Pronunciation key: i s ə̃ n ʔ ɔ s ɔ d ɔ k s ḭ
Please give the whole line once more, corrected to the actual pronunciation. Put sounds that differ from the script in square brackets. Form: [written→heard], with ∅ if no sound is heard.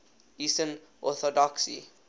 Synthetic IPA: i s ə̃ n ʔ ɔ [s→θ] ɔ d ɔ k s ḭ